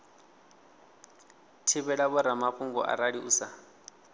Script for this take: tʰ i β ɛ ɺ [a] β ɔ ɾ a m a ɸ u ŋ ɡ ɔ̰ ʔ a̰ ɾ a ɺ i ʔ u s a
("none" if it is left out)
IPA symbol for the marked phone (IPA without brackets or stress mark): a